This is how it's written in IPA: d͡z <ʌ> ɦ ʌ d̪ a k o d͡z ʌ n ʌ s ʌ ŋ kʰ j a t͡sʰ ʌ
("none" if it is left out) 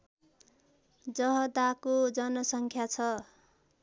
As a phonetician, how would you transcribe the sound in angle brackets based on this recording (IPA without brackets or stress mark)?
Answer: ʌ